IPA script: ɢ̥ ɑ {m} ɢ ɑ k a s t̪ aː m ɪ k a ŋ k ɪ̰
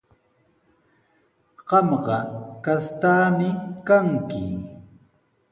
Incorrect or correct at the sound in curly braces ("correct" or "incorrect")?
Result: correct